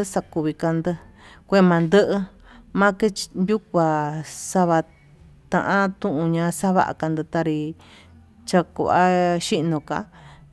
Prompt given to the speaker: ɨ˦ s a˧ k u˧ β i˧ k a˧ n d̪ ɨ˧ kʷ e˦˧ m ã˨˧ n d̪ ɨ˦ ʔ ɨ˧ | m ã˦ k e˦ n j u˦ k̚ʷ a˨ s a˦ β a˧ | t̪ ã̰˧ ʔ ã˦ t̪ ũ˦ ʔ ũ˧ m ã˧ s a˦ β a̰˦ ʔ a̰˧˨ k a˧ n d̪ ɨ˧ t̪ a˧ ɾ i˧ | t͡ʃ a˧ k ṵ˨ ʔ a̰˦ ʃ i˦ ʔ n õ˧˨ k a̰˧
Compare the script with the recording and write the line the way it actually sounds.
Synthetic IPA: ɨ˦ s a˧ k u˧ β i˧ k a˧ n d̪ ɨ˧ kʷ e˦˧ m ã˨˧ n d̪ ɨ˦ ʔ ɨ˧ | m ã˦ k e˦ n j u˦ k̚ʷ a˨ s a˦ β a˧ | t̪ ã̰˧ ʔ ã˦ t̪ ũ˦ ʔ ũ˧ ɲ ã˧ s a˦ β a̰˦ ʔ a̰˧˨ k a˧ n d̪ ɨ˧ t̪ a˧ ɾ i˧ | t͡ʃ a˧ k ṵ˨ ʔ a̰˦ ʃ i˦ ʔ n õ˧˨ k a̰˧

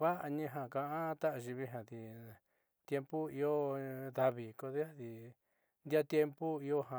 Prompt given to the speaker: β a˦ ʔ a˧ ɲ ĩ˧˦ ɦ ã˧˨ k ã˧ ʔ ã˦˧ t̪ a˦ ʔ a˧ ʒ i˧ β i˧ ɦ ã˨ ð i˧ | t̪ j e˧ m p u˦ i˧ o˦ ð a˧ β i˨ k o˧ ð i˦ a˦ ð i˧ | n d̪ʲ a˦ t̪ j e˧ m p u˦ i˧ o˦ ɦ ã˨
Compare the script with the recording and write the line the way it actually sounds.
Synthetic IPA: β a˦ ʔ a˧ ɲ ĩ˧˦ ɦ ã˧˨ k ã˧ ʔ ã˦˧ t̪ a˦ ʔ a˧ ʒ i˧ β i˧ ɦ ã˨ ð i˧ | t̪ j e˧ m p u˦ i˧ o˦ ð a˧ β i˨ k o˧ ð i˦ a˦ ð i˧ | n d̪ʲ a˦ t̪ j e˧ m p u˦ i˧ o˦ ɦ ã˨

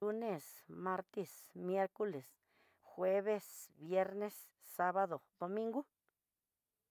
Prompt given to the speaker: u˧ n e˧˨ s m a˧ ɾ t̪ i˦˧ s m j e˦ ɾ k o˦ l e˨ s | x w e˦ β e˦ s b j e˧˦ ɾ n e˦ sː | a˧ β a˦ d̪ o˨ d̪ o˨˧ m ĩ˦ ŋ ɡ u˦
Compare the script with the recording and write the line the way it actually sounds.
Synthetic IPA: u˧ n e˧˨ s m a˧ ɾ t̪ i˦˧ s m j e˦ ɾ k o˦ l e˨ s | x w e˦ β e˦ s b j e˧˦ ɾ n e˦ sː | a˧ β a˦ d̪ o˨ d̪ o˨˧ m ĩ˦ ŋ ɡ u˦

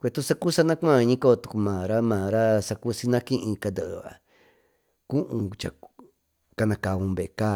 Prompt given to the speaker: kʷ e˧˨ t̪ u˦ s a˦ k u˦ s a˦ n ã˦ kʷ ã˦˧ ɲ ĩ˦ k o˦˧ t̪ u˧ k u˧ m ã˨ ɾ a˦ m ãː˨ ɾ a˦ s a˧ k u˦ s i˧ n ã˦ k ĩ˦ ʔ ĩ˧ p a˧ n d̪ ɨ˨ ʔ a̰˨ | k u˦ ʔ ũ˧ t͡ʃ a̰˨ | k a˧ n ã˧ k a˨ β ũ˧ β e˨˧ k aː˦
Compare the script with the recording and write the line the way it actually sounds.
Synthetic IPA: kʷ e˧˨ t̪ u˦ s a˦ k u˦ s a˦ n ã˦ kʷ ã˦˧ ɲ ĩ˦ k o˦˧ t̪ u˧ k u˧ m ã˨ ɾ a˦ m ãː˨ ɾ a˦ s a˧ k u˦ s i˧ n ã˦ k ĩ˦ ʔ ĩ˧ k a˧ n d̪ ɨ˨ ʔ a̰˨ | k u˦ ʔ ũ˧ t͡ʃ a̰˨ | k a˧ n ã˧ k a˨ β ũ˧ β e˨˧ k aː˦

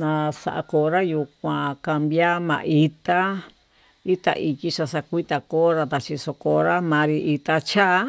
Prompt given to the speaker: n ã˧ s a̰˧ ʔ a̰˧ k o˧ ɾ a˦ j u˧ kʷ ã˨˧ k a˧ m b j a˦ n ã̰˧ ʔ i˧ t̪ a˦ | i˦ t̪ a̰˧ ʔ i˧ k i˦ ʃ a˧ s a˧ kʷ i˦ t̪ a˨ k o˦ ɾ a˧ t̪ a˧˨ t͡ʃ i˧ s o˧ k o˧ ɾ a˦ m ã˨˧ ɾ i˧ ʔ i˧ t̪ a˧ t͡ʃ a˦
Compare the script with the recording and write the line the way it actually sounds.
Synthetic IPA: n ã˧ s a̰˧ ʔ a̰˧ k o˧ ɾ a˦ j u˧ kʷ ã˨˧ k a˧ m b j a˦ m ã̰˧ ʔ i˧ t̪ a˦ | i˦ t̪ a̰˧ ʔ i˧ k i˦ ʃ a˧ s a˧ kʷ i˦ t̪ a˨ k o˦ ɾ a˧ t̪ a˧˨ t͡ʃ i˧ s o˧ k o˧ ɾ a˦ m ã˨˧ ɾ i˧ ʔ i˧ t̪ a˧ t͡ʃ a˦

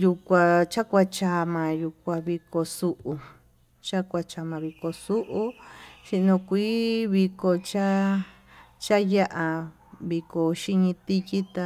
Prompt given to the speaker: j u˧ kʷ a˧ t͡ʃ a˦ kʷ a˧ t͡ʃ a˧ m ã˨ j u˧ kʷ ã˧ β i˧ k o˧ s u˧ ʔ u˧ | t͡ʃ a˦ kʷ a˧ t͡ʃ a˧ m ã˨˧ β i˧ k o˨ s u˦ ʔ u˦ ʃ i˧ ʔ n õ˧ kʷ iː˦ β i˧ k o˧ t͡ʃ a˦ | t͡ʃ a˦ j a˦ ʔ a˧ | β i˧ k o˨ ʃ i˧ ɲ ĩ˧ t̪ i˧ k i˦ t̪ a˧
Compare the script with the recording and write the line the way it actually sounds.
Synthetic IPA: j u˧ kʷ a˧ t͡ʃ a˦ kʷ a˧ t͡ʃ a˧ m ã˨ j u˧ kʷ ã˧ β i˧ k o˧ s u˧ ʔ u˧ | t͡ʃ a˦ kʷ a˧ t͡ʃ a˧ m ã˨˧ β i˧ k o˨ s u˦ ʔ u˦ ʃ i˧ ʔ n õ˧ kʷ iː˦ β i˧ k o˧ t͡ʃ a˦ | t͡ʃ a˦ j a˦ ʔ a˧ | β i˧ k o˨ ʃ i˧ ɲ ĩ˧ t̪ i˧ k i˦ t̪ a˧

